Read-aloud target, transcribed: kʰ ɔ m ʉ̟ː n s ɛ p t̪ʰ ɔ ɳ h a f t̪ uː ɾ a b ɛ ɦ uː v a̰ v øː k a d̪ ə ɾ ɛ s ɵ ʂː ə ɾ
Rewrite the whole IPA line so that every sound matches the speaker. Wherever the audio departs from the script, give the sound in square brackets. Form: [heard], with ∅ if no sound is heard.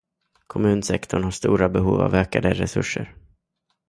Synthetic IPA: kʰ ɔ m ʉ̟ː n s ɛ [k] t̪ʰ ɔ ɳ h a [ʂ] t̪ uː ɾ a b ɛ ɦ uː v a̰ v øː k a d̪ ə ɾ ɛ s ɵ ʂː ə ɾ